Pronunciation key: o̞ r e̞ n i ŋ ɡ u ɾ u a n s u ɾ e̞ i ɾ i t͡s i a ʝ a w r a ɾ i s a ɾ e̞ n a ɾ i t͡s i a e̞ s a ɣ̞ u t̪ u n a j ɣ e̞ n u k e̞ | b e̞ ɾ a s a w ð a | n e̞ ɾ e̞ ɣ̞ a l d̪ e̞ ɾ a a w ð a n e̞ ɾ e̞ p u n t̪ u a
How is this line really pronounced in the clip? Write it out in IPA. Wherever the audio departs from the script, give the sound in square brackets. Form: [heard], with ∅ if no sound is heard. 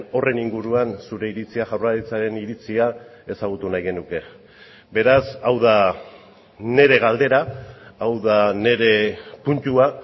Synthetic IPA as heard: o̞ r e̞ n i ŋ ɡ u ɾ u a n s u ɾ e̞ i ɾ i t͡s i a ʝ a w r a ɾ i [t͡s] a ɾ e̞ n [i] ɾ i t͡s i a e̞ s a ɣ̞ u t̪ u n a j ɣ e̞ n u k e̞ | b e̞ ɾ a s a w ð a | n e̞ ɾ e̞ ɣ̞ a l d̪ e̞ ɾ a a w ð a n e̞ ɾ e̞ p u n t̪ u a